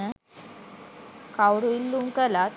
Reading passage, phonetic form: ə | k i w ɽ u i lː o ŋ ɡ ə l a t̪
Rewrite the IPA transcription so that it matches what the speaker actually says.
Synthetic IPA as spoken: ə | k a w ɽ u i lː u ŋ k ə l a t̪